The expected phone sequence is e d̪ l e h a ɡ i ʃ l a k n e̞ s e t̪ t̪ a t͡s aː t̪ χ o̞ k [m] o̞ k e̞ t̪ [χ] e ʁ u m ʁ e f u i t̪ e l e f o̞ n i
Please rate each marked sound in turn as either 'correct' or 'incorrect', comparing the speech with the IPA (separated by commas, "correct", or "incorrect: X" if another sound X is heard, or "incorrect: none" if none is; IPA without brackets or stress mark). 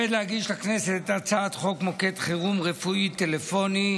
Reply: correct, correct